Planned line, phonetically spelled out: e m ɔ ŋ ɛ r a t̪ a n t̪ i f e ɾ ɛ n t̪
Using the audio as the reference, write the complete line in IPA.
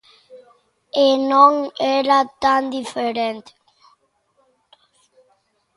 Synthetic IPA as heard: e n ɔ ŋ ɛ ɾ a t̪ a n d̪ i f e ɾ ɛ n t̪